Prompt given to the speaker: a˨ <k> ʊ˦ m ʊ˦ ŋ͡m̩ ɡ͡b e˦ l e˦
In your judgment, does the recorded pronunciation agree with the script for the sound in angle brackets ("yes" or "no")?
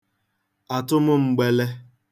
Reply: no